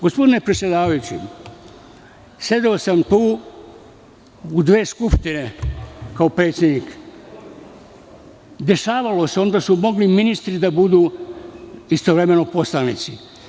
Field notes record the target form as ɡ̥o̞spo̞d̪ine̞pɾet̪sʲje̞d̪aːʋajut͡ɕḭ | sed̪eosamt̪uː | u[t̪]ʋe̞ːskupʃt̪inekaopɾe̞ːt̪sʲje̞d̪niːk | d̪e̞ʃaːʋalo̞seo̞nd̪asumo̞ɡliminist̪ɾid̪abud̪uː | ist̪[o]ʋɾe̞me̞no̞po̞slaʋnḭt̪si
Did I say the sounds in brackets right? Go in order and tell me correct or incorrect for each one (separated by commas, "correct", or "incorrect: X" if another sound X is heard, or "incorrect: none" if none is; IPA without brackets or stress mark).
incorrect: d̪, correct